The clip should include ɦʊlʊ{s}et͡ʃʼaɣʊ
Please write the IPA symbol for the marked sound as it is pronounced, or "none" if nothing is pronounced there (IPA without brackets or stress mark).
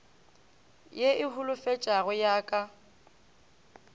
f